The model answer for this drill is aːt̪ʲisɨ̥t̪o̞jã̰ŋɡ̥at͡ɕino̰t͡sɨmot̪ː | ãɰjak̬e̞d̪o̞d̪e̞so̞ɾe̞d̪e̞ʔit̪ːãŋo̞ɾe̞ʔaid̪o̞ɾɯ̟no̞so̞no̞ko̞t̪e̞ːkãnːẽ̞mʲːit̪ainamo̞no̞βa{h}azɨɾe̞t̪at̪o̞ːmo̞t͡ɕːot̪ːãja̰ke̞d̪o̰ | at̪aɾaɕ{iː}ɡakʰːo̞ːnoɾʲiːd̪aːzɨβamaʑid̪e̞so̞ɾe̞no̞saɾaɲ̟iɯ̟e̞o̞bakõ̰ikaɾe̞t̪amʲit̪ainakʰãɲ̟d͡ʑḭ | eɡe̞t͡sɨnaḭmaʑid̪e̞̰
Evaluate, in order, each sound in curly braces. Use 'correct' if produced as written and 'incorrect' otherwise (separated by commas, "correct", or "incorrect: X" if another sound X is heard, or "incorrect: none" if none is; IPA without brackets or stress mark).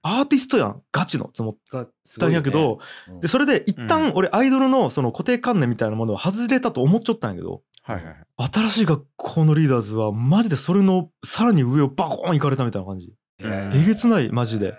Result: correct, correct